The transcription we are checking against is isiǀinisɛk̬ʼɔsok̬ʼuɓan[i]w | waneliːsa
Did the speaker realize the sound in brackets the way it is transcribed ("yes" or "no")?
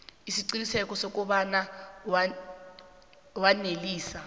no